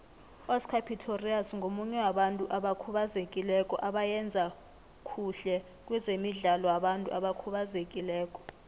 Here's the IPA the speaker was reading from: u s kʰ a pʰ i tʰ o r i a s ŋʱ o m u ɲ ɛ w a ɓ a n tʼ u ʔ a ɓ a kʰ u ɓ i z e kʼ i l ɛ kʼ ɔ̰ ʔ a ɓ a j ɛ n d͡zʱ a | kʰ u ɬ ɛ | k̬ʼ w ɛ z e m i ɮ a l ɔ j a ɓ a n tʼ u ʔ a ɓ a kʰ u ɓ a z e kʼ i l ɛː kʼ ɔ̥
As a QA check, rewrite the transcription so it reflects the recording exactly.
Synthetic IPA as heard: ɔ s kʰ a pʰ i tʰ o r i a s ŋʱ o m u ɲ ɛ w a ɓ a n tʼ u ʔ a ɓ a kʰ u ɓ a z e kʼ i l ɛ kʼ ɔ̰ ʔ a ɓ a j ɛ n d͡zʱ a | kʰ u ɬ ɛ | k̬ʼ w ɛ z e m i ɮ a l ɔ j a ɓ a n tʼ u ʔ a ɓ a kʰ u ɓ a z e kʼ i l ɛː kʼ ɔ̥